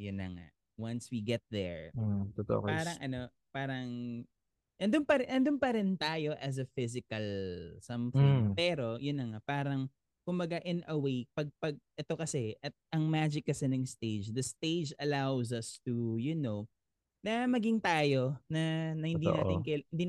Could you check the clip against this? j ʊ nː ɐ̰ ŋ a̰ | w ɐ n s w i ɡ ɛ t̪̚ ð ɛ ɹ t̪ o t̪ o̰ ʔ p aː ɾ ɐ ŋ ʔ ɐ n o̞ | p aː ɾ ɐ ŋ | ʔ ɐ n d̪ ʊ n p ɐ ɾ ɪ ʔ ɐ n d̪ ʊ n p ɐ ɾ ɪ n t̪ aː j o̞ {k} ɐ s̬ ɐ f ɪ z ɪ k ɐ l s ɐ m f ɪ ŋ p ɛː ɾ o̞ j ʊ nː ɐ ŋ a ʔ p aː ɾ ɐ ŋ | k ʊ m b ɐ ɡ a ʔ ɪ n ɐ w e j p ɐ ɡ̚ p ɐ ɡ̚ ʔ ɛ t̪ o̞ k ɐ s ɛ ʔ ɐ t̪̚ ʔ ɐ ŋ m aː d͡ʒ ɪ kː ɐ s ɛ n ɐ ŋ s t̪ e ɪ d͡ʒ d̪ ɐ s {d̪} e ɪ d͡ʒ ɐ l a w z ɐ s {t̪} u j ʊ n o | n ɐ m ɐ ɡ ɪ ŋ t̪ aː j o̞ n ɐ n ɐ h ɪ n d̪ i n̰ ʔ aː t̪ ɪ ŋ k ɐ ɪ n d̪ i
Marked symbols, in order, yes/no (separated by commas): no, no, yes